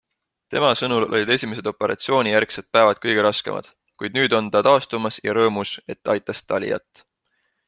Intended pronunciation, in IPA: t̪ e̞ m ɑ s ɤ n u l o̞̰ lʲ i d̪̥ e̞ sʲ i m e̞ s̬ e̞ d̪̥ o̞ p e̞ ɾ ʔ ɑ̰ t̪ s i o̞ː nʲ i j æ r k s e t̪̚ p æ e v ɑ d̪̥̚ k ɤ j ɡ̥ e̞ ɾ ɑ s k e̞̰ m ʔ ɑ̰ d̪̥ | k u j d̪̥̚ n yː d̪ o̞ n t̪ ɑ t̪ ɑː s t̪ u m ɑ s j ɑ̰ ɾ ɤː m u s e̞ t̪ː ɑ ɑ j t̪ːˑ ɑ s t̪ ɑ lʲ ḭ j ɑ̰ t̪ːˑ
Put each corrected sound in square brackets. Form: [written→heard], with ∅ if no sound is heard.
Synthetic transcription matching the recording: t̪ e̞ m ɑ s ɤ n u l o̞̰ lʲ i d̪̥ e̞ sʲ i m e̞ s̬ e̞ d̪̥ o̞ p e̞ ɾ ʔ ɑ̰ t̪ s i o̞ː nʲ i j æ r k s e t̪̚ p æ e v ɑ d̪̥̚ k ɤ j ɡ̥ e̞ ɾ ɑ s k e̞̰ m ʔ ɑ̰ d̪̥ | k u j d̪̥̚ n yː d̪ o̞ n t̪ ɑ t̪ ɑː s t̪ u m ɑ s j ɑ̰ ɾ ɤː m u s e̞ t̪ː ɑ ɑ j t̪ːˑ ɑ s t̪ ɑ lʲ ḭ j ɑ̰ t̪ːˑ